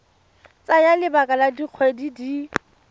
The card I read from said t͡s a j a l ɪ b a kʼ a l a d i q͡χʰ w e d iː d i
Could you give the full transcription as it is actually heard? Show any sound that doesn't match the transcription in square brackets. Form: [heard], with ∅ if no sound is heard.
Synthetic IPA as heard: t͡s a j a l ɪ b a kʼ a l a d i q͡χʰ w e d [i] d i